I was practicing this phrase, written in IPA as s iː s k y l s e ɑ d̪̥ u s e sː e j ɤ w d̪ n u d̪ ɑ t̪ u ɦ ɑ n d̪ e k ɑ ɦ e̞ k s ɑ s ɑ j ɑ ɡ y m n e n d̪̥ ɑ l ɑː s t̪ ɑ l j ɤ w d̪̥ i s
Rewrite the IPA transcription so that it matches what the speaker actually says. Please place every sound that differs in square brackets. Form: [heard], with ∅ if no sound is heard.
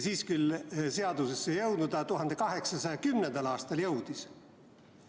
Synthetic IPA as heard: s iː s k y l s e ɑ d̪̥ u s e sː e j ɤ w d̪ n u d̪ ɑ t̪ u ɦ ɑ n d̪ e k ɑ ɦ e̞ k s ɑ s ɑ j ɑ [k] y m n e n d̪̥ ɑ l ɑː s t̪ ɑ l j ɤ w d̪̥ i s